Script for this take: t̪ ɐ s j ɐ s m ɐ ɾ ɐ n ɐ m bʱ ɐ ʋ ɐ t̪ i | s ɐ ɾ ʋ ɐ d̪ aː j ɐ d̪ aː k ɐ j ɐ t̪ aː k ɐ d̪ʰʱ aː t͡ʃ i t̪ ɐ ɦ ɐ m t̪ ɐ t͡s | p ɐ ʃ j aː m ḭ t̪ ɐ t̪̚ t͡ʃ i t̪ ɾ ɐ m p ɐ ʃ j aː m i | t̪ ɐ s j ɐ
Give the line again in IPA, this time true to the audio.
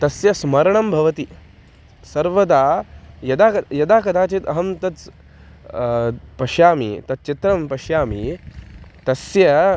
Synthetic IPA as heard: t̪ ɐ s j ɐ s m ɐ ɾ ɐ ɳ ɐ m bʱ ɐ ʋ ɐ t̪ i | s ɐ ɾ ʋ ɐ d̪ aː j ɐ d̪ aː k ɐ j ɐ d̪ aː k ɐ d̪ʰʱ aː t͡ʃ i t̪ ɐ ɦ ɐ m t̪ ɐ t͡s | p ɐ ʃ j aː m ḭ t̪ ɐ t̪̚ t͡ʃ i t̪ ɾ ɐ m p ɐ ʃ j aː m i | t̪ ɐ s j ɐ